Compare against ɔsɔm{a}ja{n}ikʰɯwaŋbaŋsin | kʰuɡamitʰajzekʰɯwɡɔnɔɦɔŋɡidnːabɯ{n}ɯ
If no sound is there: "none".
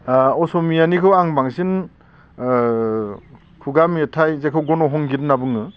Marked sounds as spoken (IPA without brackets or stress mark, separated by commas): i, n, ŋ